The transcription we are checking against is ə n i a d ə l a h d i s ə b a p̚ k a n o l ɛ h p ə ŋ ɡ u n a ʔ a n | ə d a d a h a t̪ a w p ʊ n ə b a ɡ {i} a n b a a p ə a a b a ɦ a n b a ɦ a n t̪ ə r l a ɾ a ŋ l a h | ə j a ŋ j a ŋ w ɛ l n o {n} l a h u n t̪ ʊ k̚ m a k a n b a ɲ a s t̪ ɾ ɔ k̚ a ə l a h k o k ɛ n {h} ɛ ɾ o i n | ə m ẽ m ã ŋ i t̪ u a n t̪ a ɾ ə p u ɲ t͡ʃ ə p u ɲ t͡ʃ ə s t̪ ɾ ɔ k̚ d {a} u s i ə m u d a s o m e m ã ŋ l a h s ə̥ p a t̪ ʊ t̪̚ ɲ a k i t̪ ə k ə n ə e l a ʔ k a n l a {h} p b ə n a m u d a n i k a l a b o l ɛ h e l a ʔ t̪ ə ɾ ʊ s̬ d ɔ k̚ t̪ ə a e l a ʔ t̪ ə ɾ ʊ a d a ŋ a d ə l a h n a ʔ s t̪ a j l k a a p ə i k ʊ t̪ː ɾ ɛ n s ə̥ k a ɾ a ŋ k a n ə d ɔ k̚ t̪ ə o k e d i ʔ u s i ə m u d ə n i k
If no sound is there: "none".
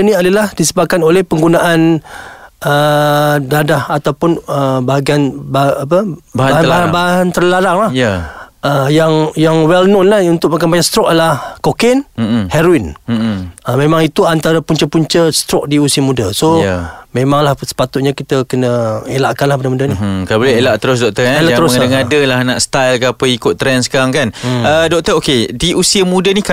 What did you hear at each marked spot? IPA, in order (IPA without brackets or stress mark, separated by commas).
i, n, h, i, h